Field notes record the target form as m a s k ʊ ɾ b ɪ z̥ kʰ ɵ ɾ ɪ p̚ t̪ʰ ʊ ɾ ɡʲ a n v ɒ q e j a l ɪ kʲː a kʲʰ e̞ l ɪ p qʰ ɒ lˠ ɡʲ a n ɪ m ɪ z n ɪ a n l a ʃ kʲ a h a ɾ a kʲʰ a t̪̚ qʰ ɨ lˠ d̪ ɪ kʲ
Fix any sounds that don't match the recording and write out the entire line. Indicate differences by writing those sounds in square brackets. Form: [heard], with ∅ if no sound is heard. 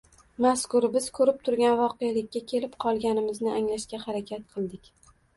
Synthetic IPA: m a s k ʊ ɾ b ɪ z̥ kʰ ɵ ɾ ɪ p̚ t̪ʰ ʊ ɾ ɡʲ a n v ɒ q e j a l ɪ kʲː a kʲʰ e̞ l ɪ p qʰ ɒ lˠ ɡʲ a n ɪ m ɪ z n ɪ a [ŋ] l a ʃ kʲ a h a ɾ a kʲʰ a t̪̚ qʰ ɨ lˠ d̪ ɪ kʲ